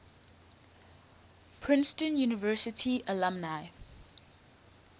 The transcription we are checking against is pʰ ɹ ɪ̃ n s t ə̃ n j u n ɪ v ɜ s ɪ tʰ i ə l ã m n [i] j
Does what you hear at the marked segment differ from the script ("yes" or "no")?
yes